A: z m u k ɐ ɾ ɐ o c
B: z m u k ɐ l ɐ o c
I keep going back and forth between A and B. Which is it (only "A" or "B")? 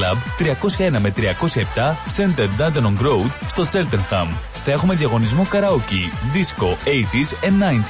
A